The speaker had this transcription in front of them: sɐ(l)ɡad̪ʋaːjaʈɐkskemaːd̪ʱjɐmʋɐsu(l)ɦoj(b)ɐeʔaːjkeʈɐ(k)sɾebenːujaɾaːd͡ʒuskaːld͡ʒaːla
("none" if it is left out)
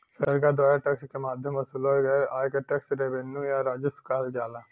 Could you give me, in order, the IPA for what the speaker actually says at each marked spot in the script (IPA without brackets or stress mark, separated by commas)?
ɾ, l, ɡ, k